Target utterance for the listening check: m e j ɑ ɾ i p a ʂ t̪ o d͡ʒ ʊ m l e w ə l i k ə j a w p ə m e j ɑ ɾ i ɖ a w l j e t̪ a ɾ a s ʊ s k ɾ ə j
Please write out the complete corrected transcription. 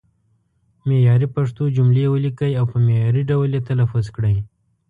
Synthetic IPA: m e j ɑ ɾ i p a ʂ t̪ o d͡ʒ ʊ m l e w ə l i k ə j a w p ə m e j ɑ ɾ i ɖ a w l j e t̪ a l a f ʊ z k ɽ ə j

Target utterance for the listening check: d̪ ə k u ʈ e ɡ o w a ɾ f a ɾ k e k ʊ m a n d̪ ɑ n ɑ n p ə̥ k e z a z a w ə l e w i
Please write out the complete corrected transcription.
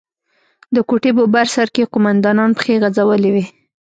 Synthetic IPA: d̪ ə k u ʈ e b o b a ɾ s a ɾ k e q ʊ m a n d̪ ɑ n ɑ n p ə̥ x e ɣ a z a w ə l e w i

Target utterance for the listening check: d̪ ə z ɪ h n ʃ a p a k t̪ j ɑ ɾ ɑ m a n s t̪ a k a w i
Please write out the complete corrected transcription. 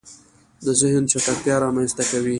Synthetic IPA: d̪ ə z ɪ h n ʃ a k a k t̪ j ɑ ɾ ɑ m a n s t̪ a k a w i

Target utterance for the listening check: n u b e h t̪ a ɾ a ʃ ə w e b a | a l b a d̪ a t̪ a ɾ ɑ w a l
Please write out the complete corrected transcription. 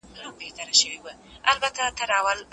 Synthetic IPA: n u b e h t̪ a ɾ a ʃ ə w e w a | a l b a t̪ a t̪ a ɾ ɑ w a l

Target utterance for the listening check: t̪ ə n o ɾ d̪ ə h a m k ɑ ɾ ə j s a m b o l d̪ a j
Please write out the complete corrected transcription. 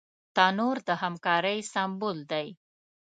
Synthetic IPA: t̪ ɑ n o ɾ d̪ ə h a m k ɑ ɾ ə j s a m b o l d̪ a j

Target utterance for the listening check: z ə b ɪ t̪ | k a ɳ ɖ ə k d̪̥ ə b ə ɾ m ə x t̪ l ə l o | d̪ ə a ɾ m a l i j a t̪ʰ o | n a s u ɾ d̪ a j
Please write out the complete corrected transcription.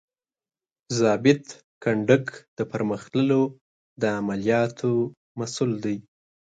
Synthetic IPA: z ɑ b ɪ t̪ | k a ɳ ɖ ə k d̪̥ ə p ə ɾ m ə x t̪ l ə l o | d̪ ə a m a l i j ɑ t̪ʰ o | m a s u l d̪ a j

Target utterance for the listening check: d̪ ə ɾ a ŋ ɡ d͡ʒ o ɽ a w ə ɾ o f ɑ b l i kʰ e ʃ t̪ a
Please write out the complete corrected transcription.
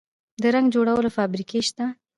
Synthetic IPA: d̪ ə ɾ a ŋ ɡ d͡ʒ o ɽ a w ə l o f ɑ b ɾ i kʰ e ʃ t̪ a

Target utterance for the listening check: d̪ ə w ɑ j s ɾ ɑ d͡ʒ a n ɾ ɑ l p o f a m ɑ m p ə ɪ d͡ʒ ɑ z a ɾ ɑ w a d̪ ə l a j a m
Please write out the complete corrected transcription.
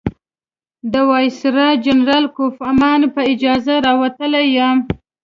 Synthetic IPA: d̪ ə w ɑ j s ɾ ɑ d͡ʒ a n ɾ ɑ l k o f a m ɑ n p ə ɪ d͡ʒ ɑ z a ɾ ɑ w a t̪ ə l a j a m

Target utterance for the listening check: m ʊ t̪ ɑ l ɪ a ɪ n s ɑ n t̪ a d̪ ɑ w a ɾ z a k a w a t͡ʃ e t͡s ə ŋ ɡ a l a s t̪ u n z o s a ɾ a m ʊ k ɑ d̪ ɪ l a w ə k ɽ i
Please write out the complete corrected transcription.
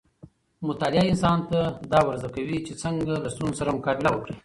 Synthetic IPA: m ʊ t̪ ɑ l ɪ a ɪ n s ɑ n t̪ a d̪ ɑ w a ɾ z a k a w i t͡ʃ e t͡s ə ŋ ɡ a l a s t̪ u n z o s a ɾ a m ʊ k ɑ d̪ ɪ l a w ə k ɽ i

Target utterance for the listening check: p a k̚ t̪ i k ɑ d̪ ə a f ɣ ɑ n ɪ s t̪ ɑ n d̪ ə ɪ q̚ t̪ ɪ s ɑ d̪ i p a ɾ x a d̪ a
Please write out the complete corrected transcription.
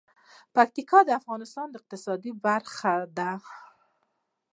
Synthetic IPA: p a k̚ t̪ i k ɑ d̪ ə a f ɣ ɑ n ɪ s t̪ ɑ n d̪ ə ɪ q̚ t̪ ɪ s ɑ d̪ i b a ɾ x a d̪ a

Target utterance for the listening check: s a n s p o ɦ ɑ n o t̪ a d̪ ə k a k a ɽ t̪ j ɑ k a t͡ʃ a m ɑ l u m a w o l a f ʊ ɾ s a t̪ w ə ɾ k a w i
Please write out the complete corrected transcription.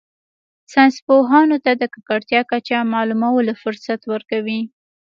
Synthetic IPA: s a n s p o ɦ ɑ n o t̪ a d̪ ə k a k a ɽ t̪ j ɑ k a t͡ʃ a m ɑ l u m a w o l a f ʊ ɾ s a t̪ w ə ɾ k a w i

